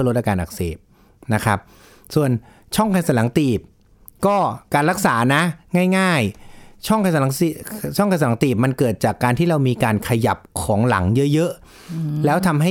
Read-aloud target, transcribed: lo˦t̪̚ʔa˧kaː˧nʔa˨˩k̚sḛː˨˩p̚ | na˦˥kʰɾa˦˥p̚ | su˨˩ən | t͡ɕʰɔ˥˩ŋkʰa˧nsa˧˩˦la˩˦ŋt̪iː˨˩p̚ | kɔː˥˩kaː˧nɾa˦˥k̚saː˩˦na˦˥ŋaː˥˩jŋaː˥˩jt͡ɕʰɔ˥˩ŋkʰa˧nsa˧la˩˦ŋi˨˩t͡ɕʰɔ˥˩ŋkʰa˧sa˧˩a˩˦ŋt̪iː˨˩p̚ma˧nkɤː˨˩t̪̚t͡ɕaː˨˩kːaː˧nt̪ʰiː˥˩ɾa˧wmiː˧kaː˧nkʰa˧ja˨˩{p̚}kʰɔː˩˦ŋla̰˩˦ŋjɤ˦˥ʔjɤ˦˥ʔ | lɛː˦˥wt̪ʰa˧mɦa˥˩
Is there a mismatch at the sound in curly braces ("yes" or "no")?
no